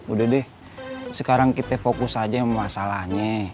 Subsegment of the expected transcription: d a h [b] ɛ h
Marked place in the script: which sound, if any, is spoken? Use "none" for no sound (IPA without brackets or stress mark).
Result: d